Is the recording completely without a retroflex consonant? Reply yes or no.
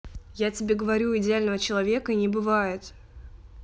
yes